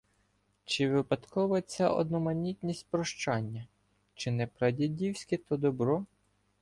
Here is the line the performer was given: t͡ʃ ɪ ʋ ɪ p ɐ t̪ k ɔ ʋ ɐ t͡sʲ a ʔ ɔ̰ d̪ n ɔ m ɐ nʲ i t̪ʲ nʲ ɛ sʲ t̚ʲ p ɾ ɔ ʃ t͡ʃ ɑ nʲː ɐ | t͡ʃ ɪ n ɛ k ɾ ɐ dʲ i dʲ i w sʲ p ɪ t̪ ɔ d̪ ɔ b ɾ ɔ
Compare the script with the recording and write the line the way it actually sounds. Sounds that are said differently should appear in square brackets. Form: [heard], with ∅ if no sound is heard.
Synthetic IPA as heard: t͡ʃ ɪ ʋ ɪ p ɐ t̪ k ɔ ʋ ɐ t͡sʲ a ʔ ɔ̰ d̪ n ɔ m ɐ nʲ i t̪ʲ nʲ [i] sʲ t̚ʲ p ɾ ɔ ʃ t͡ʃ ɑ nʲː ɐ | t͡ʃ ɪ n ɛ [p] ɾ ɐ dʲ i dʲ i w sʲ [k] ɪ t̪ ɔ d̪ ɔ b ɾ ɔ

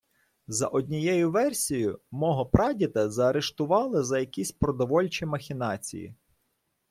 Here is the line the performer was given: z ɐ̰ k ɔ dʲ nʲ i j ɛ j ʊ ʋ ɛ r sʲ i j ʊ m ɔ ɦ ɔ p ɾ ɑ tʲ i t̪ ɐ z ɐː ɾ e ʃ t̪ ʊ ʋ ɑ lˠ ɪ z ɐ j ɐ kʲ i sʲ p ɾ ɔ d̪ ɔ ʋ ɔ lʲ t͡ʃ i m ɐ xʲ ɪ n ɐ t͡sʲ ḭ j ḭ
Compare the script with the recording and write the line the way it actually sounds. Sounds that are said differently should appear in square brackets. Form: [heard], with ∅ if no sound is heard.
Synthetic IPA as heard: z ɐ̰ [ʔ] ɔ dʲ nʲ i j ɛ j ʊ ʋ ɛ r sʲ i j ʊ m ɔ ɦ ɔ p ɾ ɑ [dʲ] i t̪ ɐ z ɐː ɾ e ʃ t̪ ʊ ʋ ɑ lˠ ɪ z ɐ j ɐ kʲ i sʲ p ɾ ɔ d̪ ɔ ʋ ɔ lʲ t͡ʃ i m ɐ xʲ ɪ n [ɑ] t͡sʲ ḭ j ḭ

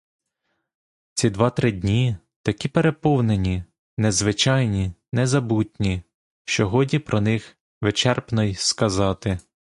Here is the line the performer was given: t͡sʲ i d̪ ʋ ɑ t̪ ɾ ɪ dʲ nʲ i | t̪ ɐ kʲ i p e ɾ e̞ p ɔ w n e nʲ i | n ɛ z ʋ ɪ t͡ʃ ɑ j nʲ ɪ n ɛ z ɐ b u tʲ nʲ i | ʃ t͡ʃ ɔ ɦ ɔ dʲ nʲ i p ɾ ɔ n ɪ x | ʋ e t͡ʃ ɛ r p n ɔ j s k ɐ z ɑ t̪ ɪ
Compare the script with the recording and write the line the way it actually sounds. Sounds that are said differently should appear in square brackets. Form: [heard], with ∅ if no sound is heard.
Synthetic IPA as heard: t͡sʲ i d̪ ʋ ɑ t̪ ɾ ɪ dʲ nʲ i | t̪ ɐ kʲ i p e ɾ e̞ p ɔ w n e nʲ i | n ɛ z ʋ ɪ t͡ʃ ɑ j nʲ [i] n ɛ z ɐ b u tʲ nʲ i | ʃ t͡ʃ ɔ ɦ ɔ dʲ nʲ i p ɾ ɔ n ɪ x | ʋ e t͡ʃ ɛ r p n ɔ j s k ɐ z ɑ t̪ ɪ

